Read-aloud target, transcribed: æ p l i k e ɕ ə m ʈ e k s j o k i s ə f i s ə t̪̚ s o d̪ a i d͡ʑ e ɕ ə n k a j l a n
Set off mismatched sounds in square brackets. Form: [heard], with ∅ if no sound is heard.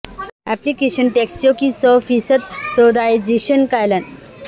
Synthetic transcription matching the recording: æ p l i k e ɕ ə [n] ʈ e k s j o k i s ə f i s ə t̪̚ s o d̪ a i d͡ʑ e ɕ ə n k a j l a n